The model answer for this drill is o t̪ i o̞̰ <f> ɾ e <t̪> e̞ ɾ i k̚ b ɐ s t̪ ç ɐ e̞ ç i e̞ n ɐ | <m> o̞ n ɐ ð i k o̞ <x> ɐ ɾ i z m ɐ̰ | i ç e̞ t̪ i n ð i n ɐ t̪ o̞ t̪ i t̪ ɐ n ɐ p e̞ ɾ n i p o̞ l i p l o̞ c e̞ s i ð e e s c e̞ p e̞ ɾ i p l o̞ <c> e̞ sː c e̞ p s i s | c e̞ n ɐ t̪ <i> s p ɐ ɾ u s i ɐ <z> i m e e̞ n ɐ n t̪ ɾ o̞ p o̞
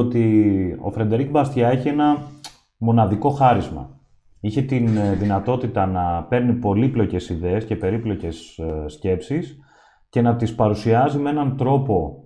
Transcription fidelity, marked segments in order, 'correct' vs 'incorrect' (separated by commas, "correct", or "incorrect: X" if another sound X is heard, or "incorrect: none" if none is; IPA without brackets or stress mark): correct, incorrect: d̪, correct, correct, correct, correct, correct